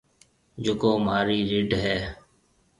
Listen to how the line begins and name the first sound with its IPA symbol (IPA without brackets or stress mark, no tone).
d͡ʒ